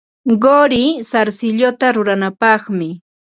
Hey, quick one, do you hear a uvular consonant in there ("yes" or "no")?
yes